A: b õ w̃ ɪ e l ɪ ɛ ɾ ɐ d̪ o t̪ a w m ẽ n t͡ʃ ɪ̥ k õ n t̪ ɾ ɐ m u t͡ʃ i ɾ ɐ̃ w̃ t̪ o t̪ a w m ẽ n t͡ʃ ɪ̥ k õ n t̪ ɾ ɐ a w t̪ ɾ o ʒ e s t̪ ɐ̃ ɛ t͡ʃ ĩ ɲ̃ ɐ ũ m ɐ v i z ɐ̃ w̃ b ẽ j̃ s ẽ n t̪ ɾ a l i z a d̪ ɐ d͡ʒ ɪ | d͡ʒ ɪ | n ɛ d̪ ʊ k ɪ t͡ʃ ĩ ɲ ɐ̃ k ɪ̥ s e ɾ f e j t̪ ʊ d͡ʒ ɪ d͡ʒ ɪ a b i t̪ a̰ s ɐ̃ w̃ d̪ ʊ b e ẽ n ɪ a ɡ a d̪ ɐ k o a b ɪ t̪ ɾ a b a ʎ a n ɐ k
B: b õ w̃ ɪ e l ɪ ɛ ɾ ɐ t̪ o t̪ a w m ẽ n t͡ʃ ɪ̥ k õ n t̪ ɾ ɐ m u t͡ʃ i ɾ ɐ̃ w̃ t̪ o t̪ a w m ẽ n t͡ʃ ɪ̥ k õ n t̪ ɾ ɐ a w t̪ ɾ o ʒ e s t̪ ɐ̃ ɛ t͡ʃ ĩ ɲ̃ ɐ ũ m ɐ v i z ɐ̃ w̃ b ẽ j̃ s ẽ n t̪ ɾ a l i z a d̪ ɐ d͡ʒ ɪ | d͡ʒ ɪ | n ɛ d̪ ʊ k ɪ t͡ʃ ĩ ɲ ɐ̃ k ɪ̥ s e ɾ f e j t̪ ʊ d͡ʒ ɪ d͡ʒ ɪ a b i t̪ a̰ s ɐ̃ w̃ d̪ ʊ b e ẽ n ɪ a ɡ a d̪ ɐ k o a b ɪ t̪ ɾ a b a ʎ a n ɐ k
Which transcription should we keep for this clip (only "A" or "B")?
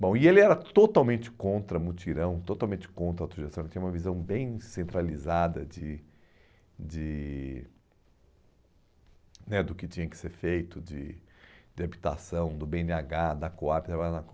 B